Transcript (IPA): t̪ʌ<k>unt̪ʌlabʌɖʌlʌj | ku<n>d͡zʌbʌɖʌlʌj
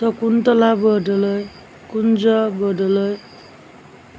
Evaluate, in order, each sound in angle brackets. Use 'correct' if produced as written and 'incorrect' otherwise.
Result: correct, correct

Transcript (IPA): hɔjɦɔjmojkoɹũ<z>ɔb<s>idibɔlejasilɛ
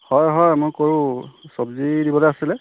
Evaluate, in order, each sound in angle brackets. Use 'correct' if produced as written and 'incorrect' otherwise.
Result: incorrect: s, incorrect: z

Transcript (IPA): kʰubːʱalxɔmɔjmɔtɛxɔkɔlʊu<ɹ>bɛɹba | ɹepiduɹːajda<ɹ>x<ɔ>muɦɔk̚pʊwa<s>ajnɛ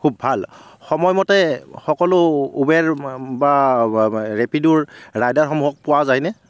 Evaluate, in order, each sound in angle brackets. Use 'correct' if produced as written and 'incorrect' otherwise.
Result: incorrect: none, correct, correct, incorrect: z

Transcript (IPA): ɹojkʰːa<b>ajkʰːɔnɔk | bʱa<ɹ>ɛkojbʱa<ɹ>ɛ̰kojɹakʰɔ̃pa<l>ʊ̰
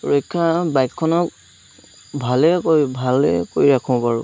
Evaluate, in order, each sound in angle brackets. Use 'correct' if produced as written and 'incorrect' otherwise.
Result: correct, incorrect: l, incorrect: l, incorrect: ɹ

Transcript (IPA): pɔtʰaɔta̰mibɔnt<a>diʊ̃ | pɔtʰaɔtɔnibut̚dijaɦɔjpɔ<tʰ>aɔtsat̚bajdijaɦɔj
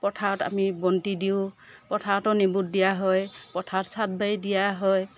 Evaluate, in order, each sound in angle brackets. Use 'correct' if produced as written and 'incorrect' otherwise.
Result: incorrect: i, correct

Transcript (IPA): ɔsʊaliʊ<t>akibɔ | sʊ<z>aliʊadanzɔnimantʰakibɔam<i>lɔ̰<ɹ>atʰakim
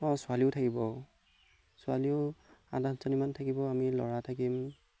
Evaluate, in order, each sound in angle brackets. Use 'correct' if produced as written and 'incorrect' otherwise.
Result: incorrect: tʰ, incorrect: none, correct, correct

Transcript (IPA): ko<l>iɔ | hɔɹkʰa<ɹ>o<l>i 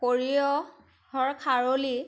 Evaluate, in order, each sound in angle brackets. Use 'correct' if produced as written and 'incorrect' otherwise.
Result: incorrect: ɹ, correct, correct

